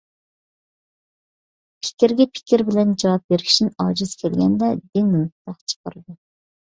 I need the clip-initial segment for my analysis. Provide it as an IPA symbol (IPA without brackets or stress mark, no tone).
pʰ